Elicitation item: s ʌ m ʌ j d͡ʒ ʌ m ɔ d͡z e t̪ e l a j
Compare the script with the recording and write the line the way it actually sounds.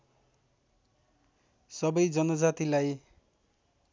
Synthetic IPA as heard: s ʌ b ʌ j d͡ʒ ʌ n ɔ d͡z a t̪ i l a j